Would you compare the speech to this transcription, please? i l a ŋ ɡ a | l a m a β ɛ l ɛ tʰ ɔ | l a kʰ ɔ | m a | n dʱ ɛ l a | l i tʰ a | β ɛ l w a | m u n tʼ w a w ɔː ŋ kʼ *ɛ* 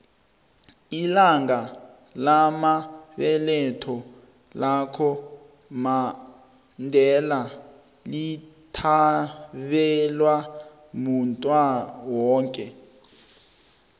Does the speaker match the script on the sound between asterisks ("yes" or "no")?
yes